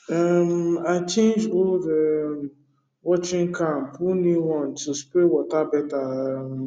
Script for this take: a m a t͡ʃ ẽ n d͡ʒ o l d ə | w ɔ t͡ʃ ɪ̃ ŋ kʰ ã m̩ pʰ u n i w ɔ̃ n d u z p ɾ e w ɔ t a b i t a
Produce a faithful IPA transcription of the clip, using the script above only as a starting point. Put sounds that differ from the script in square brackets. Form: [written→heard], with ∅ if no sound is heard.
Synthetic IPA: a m a t͡ʃ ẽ n d͡ʒ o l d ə | w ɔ t͡ʃ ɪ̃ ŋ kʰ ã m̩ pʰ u n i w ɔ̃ n [d→t] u [z→s] p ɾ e w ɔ t a b [i→ɛ] t a

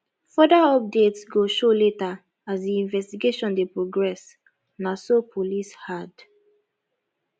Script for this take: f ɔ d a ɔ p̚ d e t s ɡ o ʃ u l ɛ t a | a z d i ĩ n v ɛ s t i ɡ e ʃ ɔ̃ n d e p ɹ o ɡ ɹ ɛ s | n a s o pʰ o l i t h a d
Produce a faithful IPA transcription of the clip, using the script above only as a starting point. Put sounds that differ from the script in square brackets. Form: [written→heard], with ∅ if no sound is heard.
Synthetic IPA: f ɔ d a ɔ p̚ d e t s ɡ o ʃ [u→o] l [ɛ→e] t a | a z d i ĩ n v ɛ s t i ɡ e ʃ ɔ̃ n d e p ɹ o ɡ ɹ ɛ s | n a s o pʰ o l i [t→s] h a d

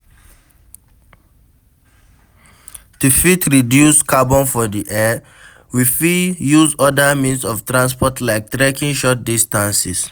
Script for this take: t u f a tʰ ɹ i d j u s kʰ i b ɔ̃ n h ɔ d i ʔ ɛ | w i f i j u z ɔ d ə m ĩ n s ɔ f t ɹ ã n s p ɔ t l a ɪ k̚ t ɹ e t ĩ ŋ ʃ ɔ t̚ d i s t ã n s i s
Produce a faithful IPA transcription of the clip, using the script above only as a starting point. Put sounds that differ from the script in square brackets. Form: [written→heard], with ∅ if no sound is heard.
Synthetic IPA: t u f [a→i] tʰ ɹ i d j u s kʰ [i→a] b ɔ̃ n [h→f] ɔ d i ʔ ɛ | w i f i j u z ɔ d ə m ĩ n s ɔ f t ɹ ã n s p ɔ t l a ɪ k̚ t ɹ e [t→k] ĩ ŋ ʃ ɔ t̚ d i s t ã n s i s

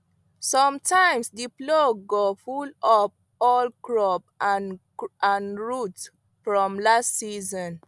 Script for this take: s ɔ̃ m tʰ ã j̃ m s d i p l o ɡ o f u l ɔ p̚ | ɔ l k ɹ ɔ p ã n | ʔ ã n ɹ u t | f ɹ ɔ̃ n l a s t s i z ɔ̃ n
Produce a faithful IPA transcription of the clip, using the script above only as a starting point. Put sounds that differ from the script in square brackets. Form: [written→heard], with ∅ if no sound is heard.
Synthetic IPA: s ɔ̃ m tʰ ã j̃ m s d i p l o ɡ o f u l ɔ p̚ | ɔ l k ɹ ɔ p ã n | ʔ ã n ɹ u t | f ɹ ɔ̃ [n→m] l a s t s i z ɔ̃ n

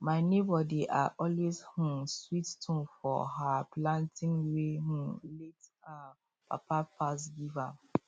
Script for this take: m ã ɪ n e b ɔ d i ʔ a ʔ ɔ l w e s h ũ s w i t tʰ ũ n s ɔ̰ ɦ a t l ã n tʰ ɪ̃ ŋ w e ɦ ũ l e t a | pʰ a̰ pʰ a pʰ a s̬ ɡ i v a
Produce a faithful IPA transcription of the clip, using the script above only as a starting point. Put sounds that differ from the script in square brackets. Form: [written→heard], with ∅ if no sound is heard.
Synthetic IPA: m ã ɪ n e b ɔ d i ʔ a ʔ ɔ l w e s h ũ s w i t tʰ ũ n [s→f] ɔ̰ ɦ a [t→p] l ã n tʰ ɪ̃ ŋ w e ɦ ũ l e t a | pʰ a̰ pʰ a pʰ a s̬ ɡ i v a

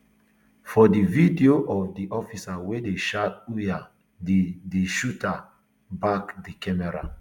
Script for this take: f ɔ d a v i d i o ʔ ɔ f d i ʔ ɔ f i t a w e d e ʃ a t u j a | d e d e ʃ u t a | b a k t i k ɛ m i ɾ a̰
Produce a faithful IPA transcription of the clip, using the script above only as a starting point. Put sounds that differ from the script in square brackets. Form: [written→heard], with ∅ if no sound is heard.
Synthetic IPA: f ɔ d [a→i] v i d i o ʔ ɔ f d i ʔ ɔ f i [t→s] a w e d e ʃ a t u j a | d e d e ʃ u t a | b a k [t→d] i k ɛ m [i→ɛ] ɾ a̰

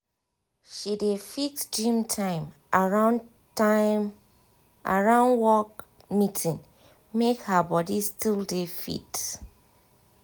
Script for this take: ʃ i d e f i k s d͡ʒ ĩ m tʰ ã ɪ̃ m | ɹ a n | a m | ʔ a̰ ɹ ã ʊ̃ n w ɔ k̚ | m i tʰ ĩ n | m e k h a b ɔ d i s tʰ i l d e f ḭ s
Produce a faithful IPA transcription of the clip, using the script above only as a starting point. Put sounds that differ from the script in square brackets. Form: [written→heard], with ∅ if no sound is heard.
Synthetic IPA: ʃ i d e f i k s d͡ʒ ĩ m tʰ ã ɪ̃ m | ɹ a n | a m | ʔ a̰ ɹ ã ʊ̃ n w ɔ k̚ | m i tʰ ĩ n | m e k h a b ɔ d i s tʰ i l d e f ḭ [s→t]

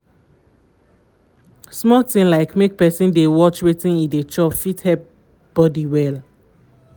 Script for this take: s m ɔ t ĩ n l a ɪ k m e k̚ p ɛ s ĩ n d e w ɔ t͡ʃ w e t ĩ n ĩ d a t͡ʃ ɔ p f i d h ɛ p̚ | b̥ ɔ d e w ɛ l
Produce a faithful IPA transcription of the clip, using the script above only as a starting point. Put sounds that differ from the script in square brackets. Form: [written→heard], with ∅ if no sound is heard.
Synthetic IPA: s m ɔ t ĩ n l a ɪ k m e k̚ p ɛ s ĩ n d e w ɔ t͡ʃ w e t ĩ n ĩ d [a→e] t͡ʃ ɔ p f i [d→t] h ɛ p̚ | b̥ ɔ d [e→i] w ɛ l

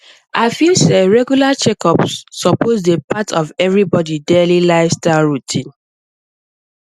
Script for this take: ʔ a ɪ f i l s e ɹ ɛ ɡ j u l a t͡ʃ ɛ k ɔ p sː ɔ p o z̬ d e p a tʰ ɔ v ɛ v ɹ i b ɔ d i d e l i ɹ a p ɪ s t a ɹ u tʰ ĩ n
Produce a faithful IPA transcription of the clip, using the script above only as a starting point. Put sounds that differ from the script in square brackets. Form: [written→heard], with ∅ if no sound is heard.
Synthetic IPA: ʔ a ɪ f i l s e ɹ ɛ ɡ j u l a t͡ʃ ɛ k ɔ p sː ɔ p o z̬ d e p a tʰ ɔ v ɛ v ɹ i b ɔ d i d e l i [ɹ→l] a [p→∅] ɪ s t a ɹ u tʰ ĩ n

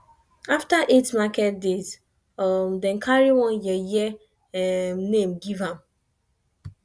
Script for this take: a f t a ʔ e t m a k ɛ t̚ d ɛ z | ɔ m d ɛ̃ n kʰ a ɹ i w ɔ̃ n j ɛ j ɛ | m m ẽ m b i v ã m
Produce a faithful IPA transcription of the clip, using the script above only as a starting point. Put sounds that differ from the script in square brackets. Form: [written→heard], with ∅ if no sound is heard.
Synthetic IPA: a f t a ʔ e t m a k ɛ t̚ d [ɛ→e] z | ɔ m d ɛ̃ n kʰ a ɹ i w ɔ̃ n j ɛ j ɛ | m [m→n] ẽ m [b→ɡ] i v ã m

